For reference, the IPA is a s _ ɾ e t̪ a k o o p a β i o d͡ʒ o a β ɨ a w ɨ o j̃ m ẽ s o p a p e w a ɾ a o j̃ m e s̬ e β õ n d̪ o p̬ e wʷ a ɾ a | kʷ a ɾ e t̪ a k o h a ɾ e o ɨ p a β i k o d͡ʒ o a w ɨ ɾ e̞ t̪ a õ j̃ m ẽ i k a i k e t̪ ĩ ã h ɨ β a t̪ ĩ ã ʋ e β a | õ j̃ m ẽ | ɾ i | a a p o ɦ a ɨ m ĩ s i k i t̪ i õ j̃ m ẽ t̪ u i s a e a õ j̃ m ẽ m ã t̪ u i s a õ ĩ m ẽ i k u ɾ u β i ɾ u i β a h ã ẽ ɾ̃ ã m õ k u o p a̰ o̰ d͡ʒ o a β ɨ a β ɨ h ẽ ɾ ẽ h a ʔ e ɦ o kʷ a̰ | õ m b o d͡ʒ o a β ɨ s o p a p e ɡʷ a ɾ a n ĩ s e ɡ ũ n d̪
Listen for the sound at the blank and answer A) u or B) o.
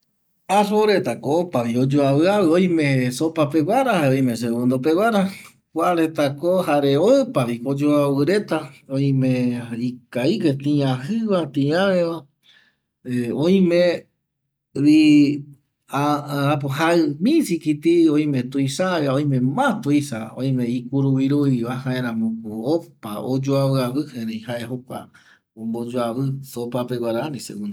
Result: B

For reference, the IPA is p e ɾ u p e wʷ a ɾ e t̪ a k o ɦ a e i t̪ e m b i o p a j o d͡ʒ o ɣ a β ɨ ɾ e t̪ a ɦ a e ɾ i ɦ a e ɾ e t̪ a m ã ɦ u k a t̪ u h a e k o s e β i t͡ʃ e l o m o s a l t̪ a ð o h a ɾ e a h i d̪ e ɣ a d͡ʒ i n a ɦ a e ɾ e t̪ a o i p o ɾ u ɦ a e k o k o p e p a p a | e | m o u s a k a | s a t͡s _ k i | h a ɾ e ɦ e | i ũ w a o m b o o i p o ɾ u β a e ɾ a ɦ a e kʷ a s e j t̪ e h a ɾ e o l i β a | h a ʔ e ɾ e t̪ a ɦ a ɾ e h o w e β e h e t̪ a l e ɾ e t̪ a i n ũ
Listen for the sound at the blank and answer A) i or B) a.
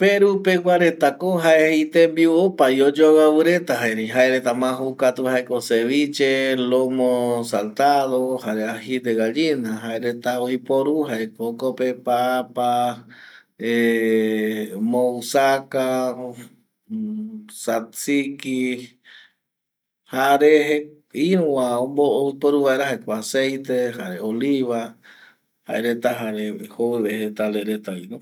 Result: A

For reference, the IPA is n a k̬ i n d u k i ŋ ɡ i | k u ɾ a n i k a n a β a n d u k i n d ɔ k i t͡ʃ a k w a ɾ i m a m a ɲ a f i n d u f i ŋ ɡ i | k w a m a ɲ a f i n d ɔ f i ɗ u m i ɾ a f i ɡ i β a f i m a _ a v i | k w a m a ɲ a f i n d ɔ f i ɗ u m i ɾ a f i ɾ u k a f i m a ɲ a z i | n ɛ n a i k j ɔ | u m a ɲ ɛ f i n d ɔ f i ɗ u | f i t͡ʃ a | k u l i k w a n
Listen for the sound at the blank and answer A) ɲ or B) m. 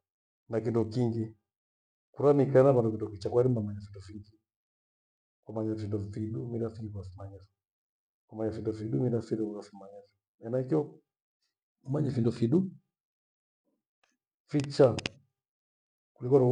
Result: A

